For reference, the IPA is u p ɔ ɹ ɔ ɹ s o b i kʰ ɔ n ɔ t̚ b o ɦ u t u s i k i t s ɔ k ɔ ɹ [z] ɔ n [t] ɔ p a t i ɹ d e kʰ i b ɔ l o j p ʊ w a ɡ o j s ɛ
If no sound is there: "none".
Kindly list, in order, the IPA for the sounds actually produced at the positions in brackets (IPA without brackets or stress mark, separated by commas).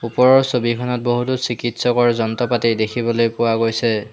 z, t